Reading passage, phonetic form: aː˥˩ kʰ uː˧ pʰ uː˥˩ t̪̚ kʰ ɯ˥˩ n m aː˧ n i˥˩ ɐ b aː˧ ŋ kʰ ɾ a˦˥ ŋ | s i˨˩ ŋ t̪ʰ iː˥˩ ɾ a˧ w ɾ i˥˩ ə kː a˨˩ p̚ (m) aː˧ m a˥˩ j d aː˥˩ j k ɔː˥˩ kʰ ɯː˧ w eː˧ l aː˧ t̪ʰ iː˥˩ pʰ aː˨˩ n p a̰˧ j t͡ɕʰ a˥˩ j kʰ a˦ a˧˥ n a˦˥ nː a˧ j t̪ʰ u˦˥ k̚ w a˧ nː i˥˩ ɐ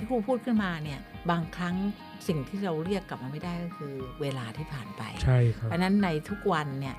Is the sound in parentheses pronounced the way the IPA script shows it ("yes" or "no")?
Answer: yes